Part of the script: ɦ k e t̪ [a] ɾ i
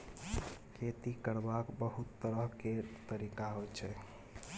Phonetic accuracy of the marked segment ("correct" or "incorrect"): incorrect